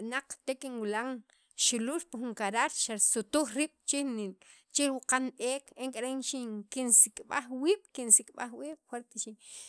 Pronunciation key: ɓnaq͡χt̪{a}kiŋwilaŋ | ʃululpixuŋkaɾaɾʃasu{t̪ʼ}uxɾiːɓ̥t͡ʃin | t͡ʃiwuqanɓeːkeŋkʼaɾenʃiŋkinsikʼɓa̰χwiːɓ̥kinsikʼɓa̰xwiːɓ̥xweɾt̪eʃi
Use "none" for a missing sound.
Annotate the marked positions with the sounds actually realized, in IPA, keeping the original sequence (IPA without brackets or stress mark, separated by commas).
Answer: e, t̪